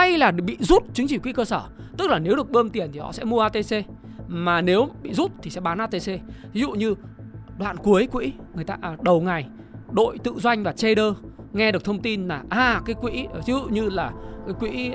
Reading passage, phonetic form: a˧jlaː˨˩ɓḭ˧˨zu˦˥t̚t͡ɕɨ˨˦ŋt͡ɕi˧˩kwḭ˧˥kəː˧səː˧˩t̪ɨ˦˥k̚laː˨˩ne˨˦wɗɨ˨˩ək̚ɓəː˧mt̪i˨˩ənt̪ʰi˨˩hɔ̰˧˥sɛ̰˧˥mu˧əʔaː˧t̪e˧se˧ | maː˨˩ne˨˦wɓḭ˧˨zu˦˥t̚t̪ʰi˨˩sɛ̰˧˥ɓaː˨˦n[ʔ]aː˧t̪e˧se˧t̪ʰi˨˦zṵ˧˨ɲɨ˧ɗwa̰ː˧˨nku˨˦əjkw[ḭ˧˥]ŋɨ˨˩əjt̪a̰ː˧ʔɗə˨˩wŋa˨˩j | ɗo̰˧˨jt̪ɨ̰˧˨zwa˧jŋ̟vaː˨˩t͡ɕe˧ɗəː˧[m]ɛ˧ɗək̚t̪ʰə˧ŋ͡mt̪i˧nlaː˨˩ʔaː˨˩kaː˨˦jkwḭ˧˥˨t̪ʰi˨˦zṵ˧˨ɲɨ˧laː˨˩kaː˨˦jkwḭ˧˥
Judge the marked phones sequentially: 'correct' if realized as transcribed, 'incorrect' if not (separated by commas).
correct, correct, incorrect